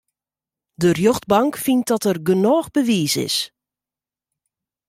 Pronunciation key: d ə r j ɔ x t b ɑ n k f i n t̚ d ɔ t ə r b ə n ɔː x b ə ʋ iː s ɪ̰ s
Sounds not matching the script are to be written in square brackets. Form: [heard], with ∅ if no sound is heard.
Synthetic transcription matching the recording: d ə r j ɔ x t b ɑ [ŋ] k f i n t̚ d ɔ t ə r [ɡ] ə n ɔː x b ə ʋ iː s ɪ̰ s

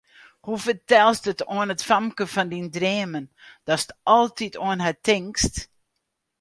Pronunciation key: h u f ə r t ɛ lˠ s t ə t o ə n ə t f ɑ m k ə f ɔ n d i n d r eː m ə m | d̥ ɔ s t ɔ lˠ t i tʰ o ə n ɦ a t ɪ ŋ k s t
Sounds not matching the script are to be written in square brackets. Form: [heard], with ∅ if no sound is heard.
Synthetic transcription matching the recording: h u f ə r t ɛ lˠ s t ə t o ə n ə t f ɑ m k ə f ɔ n d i n d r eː m ə [n] | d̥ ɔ s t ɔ lˠ t i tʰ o ə n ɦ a t ɪ ŋ k s t

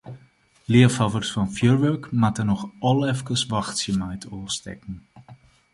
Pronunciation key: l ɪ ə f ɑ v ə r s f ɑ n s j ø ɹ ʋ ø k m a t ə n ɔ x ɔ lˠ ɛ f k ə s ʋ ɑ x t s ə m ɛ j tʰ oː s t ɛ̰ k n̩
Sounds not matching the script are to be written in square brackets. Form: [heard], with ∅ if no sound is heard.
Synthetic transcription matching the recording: l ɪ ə f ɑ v ə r s f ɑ n [f] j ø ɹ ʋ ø k m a t ə n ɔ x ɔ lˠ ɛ f k ə s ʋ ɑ x t s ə m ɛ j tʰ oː s t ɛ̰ k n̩

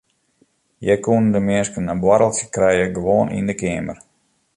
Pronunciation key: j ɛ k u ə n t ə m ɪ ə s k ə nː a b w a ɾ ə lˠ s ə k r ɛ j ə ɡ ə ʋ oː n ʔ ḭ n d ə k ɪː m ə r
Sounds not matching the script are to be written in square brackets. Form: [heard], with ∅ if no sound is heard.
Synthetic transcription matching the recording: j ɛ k u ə n [d] ə m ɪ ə s k ə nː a b w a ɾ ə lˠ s ə k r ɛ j ə ɡ ə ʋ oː n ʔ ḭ n d ə k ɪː m ə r

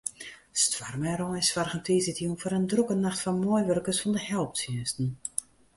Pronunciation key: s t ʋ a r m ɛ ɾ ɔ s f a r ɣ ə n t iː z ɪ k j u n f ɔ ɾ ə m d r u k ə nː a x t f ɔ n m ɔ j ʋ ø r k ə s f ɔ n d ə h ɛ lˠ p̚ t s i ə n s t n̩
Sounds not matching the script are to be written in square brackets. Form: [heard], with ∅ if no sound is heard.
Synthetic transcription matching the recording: s t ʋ a r m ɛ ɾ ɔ s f a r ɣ ə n t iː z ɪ [t] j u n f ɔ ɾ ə [n] d r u k ə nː a x t f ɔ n m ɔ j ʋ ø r k ə s f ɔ n d ə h ɛ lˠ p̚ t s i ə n s t n̩

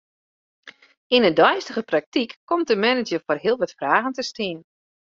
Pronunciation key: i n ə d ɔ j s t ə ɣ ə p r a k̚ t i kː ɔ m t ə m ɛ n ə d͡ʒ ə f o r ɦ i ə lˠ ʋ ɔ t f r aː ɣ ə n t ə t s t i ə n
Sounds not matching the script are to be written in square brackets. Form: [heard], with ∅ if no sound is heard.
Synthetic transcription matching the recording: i n ə d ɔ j s t ə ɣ ə p r a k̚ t i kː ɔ m t ə m ɛ n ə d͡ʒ ə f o r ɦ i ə lˠ ʋ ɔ t f r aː ɣ ə n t ə [∅] s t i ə n

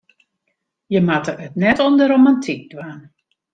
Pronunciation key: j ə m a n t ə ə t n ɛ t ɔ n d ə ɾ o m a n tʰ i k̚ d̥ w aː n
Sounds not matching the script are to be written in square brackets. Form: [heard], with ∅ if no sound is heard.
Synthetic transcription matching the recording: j ə m a [∅] t ə ə t n ɛ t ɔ n d ə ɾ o m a n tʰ i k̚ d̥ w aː n

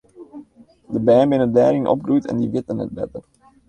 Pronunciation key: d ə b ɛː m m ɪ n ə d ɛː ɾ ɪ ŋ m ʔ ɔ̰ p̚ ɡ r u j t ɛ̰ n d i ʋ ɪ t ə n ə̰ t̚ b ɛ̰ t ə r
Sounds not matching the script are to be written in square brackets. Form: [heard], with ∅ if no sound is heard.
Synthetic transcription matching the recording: d ə b ɛː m [b] ɪ n ə d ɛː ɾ ɪ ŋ [n] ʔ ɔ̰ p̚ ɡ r u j t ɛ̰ n d i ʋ ɪ t ə n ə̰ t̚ b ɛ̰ t ə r

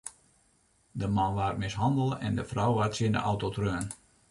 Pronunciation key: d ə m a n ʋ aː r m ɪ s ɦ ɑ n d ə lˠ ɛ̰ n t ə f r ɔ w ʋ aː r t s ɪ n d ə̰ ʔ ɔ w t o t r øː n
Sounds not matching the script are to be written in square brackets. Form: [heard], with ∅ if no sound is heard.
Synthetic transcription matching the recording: d ə m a n ʋ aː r m ɪ s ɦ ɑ n d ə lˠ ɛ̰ n [d] ə f r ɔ w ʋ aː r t s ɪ n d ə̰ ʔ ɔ w t o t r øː n

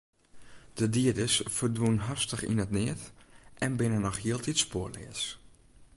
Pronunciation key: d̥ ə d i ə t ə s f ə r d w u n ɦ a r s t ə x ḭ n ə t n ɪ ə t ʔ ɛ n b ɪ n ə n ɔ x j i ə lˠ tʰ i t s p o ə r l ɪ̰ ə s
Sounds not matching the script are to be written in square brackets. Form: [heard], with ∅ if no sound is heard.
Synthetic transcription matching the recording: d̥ ə d i ə [d] ə s f ə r d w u n ɦ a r s t ə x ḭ n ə t n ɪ ə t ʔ ɛ n b ɪ n ə n ɔ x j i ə lˠ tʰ i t s p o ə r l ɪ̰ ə s

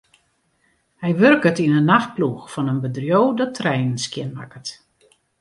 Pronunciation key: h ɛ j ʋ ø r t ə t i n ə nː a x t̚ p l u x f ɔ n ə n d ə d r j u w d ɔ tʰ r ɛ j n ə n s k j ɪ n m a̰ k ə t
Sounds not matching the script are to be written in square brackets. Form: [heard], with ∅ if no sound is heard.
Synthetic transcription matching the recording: h ɛ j ʋ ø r [k] ə t i n ə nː a x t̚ p l u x f ɔ n ə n [b] ə d r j [o] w d ɔ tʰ r ɛ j n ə n s k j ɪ n m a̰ k ə t

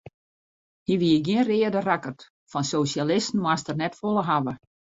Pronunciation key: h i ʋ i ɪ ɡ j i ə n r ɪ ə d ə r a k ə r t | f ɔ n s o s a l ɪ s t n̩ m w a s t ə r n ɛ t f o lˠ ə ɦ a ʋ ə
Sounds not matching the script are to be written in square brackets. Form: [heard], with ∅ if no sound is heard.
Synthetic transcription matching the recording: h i ʋ i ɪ ɡ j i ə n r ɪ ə d ə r a k ə r t | f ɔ n s o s a l ɪ s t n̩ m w a s t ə r n ɛ t f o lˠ ə ɦ a ʋ ə

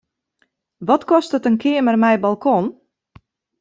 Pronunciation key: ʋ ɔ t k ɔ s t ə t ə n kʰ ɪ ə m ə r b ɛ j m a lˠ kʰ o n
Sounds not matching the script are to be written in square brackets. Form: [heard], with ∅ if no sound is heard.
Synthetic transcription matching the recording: ʋ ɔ t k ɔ s t ə t ə n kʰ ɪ ə m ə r [m] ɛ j [b] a lˠ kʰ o n

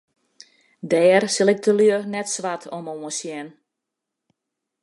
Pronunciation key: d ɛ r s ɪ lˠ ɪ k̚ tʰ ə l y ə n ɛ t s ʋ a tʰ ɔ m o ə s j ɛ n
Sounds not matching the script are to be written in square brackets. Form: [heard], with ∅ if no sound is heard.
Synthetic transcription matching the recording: d [ɛː] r s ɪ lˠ ɪ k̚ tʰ ə l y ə n ɛ t s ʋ a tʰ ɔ m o ə s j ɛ n

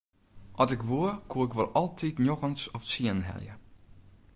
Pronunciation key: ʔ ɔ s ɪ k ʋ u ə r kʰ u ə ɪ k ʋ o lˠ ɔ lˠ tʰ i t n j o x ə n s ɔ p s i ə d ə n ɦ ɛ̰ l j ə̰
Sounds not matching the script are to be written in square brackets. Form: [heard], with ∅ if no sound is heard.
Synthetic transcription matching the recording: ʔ ɔ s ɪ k ʋ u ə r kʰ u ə ɪ k ʋ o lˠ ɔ lˠ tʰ i t n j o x ə n s ɔ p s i ə [n] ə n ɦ ɛ̰ l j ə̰

